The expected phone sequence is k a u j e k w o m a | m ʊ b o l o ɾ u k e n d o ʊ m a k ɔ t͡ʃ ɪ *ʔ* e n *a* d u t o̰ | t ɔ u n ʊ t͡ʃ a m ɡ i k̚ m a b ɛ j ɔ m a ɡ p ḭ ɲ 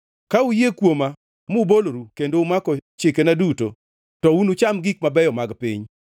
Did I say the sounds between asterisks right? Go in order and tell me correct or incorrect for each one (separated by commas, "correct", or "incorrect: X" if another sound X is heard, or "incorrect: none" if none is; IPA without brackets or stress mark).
incorrect: k, correct